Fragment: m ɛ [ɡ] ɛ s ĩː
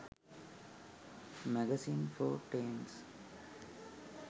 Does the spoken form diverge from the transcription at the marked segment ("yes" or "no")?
no